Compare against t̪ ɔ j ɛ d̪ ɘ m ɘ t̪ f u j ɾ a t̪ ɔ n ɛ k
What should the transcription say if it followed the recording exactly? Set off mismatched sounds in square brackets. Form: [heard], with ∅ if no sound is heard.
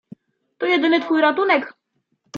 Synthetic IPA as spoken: t̪ ɔ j ɛ d̪ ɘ [n] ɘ t̪ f u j ɾ a t̪ [u] n ɛ k